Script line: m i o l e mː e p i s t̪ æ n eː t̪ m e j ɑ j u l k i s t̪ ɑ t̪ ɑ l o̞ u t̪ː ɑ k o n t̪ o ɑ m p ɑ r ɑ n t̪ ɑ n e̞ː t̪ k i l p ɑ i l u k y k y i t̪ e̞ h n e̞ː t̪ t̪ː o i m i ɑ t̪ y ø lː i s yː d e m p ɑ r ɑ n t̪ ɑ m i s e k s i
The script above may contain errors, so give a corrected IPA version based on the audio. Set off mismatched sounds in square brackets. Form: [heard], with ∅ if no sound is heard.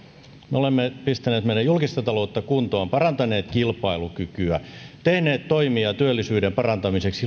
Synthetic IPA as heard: m [e] o l e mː e p i s t̪ æ n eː t̪ m e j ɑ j u l k i s t̪ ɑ t̪ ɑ l o̞ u t̪ː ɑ k [u] n t̪ o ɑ m p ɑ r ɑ n t̪ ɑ n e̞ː t̪ k i l p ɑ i l u k y k y [æ] t̪ e̞ h n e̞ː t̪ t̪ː o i m i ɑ t̪ y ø lː i s yː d e m p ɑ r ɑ n t̪ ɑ m i s e k s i

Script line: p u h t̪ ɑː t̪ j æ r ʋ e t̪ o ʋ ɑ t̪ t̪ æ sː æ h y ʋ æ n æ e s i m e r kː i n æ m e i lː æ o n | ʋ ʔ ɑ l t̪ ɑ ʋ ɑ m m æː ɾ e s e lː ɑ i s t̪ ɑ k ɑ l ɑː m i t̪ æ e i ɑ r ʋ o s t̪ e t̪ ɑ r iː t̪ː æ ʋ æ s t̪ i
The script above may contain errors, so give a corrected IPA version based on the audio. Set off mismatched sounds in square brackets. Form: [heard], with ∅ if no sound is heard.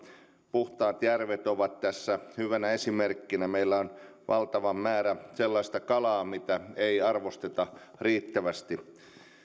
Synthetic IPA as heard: p u h t̪ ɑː t̪ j æ r ʋ e t̪ o ʋ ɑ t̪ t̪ æ sː æ h y ʋ æ n æ e s i m e r kː i n æ m e i lː æ o n | ʋ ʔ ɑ l t̪ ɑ ʋ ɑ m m æː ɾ [æ] s e lː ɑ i s t̪ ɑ k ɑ l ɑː m i t̪ æ e i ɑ r ʋ o s t̪ e t̪ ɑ r iː t̪ː æ ʋ æ s t̪ i

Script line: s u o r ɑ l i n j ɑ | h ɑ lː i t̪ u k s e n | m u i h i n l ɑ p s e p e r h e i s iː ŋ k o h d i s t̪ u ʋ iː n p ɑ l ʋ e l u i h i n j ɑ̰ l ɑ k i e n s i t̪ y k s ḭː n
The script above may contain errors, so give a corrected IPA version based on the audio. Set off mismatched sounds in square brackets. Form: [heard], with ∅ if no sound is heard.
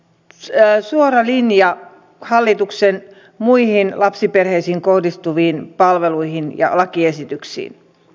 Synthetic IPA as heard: s u o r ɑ l i n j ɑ | h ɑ lː i t̪ u k s e n | m u i h i n l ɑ p s [i] p e r h e i s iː ŋ k o h d i s t̪ u ʋ iː n p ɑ l ʋ e l u i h i n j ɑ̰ l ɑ k i e [∅] s i t̪ y k s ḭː n

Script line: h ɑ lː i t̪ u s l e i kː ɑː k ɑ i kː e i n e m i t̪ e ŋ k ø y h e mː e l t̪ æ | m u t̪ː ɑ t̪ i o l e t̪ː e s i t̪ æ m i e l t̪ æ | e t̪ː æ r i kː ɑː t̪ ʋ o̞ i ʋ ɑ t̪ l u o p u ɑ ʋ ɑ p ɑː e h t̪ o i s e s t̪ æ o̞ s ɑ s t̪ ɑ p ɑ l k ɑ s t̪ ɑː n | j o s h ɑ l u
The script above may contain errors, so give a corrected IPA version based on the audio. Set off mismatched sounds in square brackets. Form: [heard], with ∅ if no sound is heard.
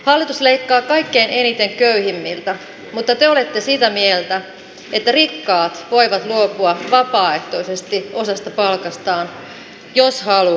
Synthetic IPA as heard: h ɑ lː i t̪ u s l e i kː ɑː k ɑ i kː e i n e [n] i t̪ e ŋ k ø y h [i] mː [i] l t̪ æ | m u t̪ː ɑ t̪ [e] o l e t̪ː e s i t̪ æ m i e l t̪ æ | e t̪ː æ r i kː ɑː t̪ ʋ o̞ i ʋ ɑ t̪ l u o p u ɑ ʋ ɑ p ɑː e h t̪ o i s e s t̪ [i] o̞ s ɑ s t̪ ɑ p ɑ l k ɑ s t̪ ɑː n | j o s h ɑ l u

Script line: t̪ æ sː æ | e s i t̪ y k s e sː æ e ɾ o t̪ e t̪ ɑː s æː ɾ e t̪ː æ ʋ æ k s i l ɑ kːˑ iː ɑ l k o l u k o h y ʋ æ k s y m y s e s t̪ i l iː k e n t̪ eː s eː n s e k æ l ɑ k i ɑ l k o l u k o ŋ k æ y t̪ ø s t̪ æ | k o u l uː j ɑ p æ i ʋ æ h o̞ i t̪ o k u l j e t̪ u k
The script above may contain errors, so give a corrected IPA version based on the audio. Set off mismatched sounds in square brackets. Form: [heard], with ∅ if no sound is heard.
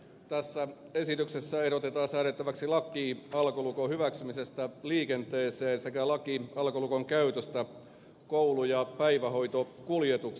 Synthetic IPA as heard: t̪ æ sː æ | e s i t̪ y k s e sː æ e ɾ o t̪ e t̪ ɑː s æː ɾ e t̪ː æ ʋ æ k s i l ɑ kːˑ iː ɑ l k o l u k o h y ʋ æ k s y m [i] s e s t̪ [æ] l iː k e n t̪ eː s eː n s e k æ l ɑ k i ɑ l k o l u k o ŋ k æ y t̪ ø s t̪ æ | k o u l [u] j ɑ p æ i ʋ æ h o̞ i t̪ o k u l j e t̪ u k

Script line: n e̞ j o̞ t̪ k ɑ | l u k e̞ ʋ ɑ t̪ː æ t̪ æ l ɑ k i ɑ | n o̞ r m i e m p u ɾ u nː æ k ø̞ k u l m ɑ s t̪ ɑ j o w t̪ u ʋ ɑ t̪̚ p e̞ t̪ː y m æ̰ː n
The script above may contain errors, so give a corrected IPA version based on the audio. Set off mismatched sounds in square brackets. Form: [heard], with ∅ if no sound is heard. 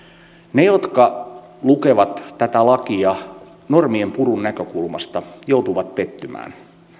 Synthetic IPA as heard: n e̞ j o̞ t̪ k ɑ | l u k e̞ ʋ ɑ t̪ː æ t̪ æ l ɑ k i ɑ | n o̞ r m i e m p u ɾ u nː æ k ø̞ k u l m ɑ s t̪ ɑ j o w t̪ u ʋ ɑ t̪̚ p e̞ t̪ː y m æ̰ː n

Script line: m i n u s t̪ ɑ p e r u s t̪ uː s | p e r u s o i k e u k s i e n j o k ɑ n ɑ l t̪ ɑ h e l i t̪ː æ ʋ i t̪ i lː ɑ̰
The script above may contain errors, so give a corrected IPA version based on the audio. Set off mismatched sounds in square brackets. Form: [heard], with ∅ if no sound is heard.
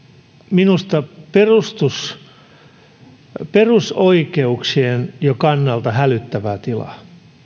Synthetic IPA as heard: m i n u s t̪ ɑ p e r u s t̪ [u] s | p e r u s o i k e u k s i e n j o k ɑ [nː] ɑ l t̪ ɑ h [æ] l [y] t̪ː æ ʋ [æ] t̪ i [l] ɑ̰

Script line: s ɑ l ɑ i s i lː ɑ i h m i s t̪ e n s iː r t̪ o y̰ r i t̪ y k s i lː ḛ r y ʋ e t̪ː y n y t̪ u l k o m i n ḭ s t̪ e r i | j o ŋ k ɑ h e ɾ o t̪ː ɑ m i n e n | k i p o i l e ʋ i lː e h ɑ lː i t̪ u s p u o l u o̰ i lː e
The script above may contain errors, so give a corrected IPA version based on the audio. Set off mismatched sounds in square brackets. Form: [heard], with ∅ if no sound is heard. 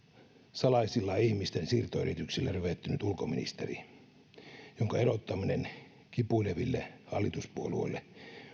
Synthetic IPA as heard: s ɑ l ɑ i s i lː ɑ i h m i s t̪ e n s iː r t̪ o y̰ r i t̪ y k s i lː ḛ r y ʋ e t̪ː y n y t̪ u l k o m i n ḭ s t̪ e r i | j o ŋ k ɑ [∅] e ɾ o t̪ː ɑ m i n e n | k i p [u] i l e ʋ i lː e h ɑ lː i t̪ u s p u o l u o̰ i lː e

